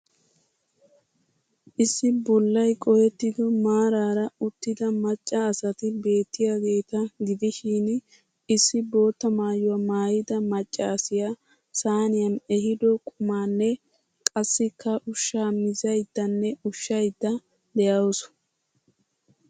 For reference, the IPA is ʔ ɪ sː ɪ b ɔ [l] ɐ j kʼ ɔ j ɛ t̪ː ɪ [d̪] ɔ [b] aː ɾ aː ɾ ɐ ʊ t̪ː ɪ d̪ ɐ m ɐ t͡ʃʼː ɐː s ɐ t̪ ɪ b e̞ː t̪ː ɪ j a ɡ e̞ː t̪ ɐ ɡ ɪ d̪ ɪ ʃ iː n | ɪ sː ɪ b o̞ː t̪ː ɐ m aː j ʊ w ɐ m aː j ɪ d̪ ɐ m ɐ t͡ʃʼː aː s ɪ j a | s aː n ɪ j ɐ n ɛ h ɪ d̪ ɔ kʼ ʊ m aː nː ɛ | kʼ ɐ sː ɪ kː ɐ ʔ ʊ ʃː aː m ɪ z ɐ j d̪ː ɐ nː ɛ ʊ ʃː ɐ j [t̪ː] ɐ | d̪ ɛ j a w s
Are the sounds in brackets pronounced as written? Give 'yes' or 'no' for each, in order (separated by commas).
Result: no, yes, no, no